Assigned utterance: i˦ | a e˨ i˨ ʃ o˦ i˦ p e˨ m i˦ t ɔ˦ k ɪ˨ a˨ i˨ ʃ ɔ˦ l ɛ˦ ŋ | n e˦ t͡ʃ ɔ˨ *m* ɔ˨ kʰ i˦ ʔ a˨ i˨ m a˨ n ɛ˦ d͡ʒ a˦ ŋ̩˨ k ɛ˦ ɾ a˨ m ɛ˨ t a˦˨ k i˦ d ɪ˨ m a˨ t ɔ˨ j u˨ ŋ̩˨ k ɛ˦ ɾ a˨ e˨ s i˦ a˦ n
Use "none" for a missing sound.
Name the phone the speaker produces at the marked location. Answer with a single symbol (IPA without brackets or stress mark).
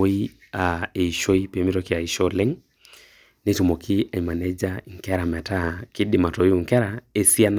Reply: m